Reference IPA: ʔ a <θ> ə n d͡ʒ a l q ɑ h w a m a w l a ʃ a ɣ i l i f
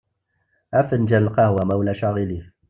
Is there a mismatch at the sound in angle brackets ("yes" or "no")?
yes